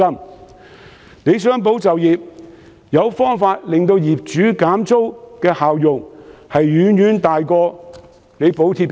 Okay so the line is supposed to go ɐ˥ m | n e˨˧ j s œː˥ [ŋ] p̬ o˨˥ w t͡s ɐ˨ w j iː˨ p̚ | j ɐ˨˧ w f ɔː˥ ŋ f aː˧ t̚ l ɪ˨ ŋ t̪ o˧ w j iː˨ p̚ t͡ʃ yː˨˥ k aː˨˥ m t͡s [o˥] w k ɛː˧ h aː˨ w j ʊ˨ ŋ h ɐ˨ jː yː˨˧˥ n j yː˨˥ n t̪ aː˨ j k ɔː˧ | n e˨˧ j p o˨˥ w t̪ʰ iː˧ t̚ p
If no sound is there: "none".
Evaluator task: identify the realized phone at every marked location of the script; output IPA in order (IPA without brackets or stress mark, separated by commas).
ŋ, o˥